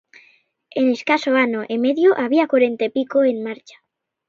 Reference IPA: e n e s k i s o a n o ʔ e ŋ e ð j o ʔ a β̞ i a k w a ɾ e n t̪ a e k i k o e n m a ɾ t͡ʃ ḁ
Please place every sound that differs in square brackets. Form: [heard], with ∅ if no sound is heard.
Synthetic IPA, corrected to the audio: e n e s k [a] s o a n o ʔ e [m] e ð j o ʔ a β̞ i a k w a ɾ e n t̪ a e [p] i k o e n m a ɾ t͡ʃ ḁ